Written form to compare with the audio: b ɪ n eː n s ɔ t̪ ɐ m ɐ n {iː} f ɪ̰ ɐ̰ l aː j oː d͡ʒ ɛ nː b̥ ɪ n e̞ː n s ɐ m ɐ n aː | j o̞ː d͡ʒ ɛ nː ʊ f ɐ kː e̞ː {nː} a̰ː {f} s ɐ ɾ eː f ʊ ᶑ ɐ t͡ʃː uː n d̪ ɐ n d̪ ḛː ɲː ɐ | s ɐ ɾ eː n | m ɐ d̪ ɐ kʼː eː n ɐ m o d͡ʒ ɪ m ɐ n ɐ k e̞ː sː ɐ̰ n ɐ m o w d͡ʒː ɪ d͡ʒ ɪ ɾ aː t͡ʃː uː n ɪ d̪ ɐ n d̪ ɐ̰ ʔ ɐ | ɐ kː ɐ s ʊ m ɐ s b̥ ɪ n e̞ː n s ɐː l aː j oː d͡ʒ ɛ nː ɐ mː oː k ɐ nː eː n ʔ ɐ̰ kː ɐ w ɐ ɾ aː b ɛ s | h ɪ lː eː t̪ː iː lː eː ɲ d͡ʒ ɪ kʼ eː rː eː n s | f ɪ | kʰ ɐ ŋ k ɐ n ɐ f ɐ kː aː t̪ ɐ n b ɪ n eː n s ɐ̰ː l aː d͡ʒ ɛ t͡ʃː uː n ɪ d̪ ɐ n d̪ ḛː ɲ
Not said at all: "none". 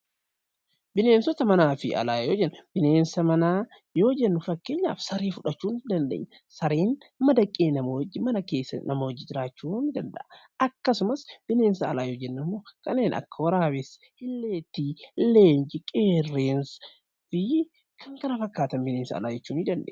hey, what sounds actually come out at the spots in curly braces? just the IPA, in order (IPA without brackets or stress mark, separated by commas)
aː, ɲː, f